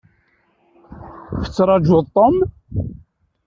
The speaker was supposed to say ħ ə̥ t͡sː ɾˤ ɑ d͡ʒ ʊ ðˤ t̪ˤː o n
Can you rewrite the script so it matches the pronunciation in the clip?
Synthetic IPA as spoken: f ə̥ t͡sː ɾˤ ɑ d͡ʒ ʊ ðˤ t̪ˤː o m